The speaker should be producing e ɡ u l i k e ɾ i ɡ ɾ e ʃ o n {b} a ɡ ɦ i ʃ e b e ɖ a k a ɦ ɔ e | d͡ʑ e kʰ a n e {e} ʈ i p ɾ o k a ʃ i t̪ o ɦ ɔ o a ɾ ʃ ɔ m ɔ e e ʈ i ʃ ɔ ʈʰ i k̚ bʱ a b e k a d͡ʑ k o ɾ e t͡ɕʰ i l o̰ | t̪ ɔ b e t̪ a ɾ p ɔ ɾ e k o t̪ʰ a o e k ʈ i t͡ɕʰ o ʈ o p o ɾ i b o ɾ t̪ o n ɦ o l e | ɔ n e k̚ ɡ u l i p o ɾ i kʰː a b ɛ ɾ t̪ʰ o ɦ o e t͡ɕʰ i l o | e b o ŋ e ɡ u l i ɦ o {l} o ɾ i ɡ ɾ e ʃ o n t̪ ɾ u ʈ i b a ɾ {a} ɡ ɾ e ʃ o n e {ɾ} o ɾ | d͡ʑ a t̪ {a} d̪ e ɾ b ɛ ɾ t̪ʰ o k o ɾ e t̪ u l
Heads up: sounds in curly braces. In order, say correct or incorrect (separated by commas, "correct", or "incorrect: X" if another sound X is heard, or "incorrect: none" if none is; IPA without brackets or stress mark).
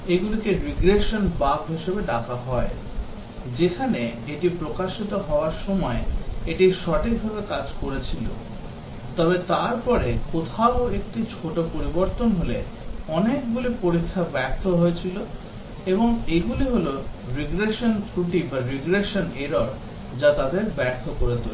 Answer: correct, correct, correct, incorrect: i, correct, correct